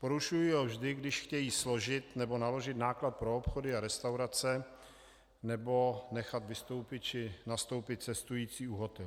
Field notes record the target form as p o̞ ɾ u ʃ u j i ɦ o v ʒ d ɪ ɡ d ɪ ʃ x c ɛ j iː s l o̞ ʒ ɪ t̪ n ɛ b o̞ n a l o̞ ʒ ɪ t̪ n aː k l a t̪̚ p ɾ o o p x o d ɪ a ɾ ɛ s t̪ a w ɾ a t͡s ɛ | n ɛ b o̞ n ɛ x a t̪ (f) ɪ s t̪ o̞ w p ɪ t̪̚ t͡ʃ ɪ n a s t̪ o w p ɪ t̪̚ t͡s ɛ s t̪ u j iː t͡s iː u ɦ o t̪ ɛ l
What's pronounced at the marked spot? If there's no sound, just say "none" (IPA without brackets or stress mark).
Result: v